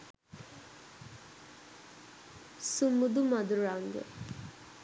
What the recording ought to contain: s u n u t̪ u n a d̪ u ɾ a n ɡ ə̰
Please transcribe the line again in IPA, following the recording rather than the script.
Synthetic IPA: s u m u d̪ u m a d̪ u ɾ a ŋ ɡ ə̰